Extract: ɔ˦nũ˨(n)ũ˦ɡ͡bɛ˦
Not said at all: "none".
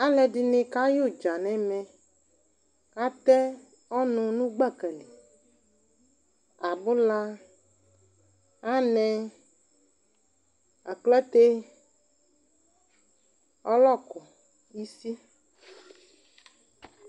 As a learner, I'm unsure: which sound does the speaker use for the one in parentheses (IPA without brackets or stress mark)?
n